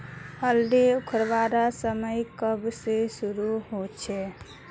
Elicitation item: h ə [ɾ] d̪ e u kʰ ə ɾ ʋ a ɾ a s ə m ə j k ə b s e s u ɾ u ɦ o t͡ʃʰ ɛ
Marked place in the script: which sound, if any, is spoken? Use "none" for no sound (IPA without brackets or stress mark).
l